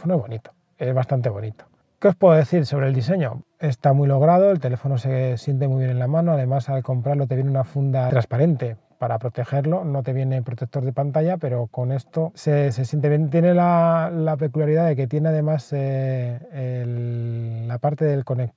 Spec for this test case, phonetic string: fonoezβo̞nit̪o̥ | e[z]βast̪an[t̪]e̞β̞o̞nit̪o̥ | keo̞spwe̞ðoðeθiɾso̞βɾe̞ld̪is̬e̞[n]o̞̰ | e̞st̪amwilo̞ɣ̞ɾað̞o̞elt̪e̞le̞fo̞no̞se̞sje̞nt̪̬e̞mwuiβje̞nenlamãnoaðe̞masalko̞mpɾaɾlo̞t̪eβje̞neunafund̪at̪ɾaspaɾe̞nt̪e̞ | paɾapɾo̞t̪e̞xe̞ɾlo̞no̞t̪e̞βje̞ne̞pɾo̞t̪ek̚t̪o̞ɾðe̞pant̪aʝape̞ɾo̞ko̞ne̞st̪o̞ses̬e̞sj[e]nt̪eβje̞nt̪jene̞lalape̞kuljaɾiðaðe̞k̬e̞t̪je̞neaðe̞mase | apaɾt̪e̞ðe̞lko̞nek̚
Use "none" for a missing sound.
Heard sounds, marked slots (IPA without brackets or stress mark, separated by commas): z, t̪, ɲ, e